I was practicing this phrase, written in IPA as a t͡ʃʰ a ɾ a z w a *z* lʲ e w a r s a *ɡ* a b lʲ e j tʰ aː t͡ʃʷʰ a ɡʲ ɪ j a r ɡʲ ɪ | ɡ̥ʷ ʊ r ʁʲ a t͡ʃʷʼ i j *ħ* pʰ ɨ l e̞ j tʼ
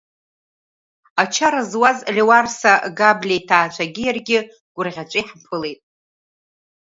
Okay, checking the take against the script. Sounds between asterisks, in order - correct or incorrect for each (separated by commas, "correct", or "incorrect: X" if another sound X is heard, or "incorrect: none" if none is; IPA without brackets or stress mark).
correct, correct, correct